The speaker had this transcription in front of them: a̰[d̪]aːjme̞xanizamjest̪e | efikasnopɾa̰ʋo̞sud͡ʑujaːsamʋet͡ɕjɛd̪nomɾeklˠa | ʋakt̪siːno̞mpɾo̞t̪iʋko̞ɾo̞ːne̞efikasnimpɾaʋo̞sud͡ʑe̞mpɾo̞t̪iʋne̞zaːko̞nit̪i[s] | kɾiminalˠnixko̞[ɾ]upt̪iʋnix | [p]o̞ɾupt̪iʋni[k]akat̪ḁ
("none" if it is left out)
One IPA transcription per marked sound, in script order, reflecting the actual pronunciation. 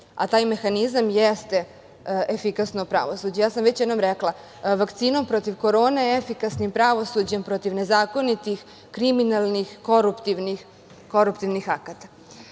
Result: t̪, x, ɾ, k, x

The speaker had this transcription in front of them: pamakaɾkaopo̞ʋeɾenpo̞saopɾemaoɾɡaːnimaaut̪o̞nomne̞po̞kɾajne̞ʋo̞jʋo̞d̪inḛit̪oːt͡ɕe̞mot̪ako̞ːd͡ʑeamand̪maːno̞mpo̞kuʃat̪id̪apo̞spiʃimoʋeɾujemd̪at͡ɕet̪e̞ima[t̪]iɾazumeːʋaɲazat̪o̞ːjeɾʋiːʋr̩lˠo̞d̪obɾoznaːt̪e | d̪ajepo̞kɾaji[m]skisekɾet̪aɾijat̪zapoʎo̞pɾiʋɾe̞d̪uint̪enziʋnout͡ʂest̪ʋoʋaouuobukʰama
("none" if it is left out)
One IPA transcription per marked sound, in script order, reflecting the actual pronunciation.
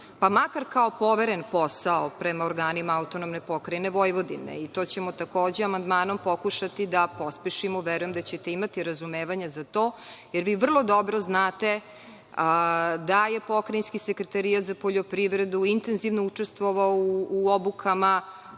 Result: t̪, n

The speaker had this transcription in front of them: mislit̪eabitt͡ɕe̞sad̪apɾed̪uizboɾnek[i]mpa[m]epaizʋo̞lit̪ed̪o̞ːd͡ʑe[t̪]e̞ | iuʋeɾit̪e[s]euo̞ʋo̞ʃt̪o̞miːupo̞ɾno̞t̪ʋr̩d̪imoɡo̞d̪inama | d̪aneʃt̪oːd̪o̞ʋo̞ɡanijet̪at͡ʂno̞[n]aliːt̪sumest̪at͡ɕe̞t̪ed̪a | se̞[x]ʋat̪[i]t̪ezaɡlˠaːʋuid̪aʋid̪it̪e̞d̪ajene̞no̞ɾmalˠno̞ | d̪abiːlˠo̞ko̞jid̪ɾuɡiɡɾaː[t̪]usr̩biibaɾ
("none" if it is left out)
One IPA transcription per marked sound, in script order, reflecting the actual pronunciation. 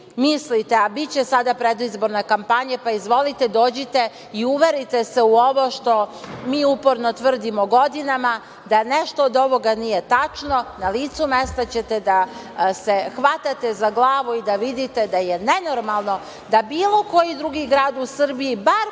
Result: a, ɲ, t̪, s, n, x, a, d̪

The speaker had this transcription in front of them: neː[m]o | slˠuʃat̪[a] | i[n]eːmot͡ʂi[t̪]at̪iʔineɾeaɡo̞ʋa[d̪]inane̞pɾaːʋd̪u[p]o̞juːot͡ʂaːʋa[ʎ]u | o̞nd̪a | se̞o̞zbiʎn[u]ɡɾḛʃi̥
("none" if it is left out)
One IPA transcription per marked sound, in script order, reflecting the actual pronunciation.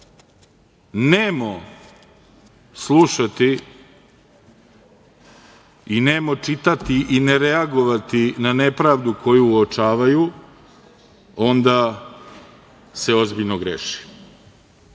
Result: m, i, n, t̪, t̪, k, j, o

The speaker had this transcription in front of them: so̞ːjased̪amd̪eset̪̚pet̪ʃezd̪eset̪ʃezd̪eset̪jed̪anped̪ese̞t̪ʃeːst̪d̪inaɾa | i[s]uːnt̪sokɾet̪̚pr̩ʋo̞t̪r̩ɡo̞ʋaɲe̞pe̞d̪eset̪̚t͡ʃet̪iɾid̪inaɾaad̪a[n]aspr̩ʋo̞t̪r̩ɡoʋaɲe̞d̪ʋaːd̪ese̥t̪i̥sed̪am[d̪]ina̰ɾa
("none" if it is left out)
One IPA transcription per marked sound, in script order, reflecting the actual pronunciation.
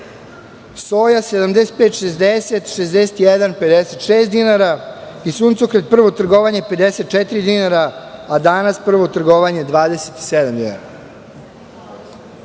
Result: s, n, d̪

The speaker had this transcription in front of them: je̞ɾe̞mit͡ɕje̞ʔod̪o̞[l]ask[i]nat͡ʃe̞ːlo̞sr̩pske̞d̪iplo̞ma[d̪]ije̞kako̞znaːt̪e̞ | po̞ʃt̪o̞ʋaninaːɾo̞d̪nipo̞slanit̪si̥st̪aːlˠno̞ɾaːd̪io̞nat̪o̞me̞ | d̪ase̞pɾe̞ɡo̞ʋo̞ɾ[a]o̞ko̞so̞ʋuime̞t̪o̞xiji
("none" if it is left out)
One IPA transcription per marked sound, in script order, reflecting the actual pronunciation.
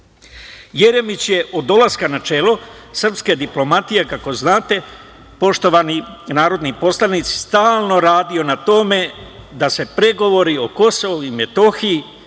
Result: l, a, t̪, i

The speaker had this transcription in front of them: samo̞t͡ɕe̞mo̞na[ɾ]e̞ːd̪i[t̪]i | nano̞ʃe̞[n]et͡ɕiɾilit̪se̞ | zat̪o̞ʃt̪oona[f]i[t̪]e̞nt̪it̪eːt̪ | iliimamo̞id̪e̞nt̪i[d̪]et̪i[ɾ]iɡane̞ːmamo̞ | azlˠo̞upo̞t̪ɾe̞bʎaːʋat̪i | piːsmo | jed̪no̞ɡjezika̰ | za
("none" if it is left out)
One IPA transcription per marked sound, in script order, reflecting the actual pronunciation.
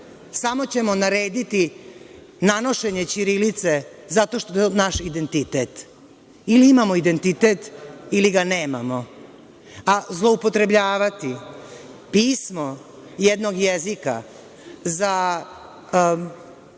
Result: ɾ, t̪, ɲ, ʃ, d̪, t̪, l

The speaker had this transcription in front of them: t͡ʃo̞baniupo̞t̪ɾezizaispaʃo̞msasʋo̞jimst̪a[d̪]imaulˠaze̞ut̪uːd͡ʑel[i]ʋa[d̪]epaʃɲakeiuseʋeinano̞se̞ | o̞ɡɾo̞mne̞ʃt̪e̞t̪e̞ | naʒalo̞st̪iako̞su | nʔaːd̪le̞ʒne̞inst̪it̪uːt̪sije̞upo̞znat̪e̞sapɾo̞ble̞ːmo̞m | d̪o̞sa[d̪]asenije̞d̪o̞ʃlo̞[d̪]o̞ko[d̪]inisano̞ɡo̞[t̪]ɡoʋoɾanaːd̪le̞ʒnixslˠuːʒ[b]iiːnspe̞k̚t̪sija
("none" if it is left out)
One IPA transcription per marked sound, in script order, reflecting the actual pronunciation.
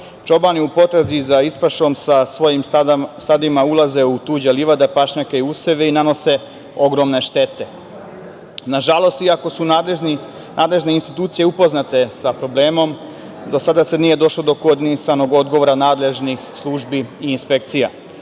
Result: d̪, i, d̪, d̪, d̪, d̪, d̪, b

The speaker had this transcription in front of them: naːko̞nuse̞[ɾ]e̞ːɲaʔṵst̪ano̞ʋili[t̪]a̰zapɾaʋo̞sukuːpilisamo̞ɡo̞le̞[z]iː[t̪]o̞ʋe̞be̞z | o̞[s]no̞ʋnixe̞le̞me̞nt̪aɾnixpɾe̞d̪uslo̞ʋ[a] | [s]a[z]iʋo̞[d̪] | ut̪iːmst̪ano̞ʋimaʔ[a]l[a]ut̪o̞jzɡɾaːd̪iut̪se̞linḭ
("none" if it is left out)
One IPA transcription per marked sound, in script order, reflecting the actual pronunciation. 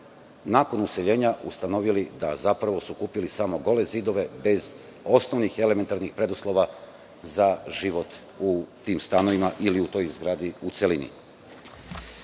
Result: ʎ, d̪, z, d̪, s, a, z, ʒ, t̪, i, i

